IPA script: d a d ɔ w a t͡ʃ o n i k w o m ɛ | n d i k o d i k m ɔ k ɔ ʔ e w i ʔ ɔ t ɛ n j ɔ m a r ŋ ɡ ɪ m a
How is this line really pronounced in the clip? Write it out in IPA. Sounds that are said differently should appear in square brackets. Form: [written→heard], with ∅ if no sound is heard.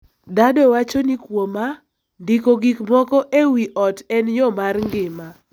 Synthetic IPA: d a d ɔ w a t͡ʃ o n i k w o m [ɛ→a] | n d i k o [d→ɡ] i k m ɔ k ɔ ʔ e w i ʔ ɔ t ɛ n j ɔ m a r ŋ ɡ ɪ m a

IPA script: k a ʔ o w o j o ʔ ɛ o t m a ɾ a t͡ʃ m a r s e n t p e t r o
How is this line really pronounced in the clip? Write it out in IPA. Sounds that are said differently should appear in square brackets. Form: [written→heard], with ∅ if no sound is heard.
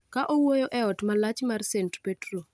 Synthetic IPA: k a ʔ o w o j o ʔ ɛ [o→ɔ] t m a [ɾ→l] a t͡ʃ m a r s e n t p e t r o

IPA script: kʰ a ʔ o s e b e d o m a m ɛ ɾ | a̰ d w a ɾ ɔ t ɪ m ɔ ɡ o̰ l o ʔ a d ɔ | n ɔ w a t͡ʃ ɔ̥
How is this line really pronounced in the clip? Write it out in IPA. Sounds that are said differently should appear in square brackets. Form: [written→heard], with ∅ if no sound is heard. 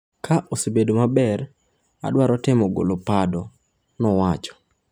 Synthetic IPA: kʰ a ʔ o s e b e d o m a [m→b] ɛ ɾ | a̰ d w a ɾ ɔ t ɪ m ɔ ɡ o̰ l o [ʔ→p] a d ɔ | n ɔ w a t͡ʃ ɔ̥

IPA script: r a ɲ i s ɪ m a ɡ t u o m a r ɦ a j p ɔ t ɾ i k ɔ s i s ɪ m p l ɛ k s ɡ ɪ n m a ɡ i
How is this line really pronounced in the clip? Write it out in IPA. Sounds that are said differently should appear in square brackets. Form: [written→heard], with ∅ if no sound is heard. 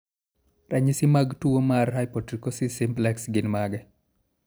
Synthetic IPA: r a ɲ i s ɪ m a ɡ t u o m a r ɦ a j p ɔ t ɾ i k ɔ s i s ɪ m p l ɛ k s ɡ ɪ n m a ɡ [i→ɛ]

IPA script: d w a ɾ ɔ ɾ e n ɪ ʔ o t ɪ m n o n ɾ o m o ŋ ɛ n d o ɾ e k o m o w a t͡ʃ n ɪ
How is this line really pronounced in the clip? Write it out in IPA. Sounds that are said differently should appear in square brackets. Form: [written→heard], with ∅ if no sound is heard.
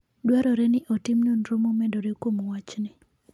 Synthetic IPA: d w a ɾ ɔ ɾ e n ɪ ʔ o t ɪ m n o n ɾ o m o [ŋ→m] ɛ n d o ɾ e k o m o w a t͡ʃ n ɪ

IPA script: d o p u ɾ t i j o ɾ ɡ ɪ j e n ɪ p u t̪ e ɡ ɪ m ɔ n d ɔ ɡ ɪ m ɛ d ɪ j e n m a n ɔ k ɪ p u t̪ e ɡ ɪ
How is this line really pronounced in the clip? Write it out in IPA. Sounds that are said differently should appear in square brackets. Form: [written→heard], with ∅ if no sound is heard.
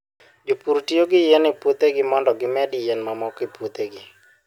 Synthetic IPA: [d→d͡ʒ] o p u ɾ t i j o [ɾ→∅] ɡ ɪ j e n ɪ p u t̪ e ɡ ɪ m ɔ n d ɔ ɡ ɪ m ɛ d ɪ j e n m a [n→m] ɔ k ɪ p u t̪ e ɡ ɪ

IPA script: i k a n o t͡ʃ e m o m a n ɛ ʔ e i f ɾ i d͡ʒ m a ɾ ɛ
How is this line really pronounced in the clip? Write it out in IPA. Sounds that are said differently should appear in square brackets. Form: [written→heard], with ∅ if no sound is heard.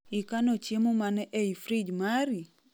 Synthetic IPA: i k a n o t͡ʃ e m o m a n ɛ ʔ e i f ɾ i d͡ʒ m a ɾ [ɛ→i]

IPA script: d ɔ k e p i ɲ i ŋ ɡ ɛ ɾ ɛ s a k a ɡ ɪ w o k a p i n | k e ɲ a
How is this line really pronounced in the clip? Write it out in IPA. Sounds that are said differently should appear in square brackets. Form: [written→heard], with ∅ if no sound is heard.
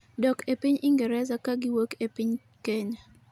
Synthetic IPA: d ɔ k e p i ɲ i ŋ ɡ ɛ ɾ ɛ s a k a ɡ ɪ w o k [a→e] p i [n→ɲ] | k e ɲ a

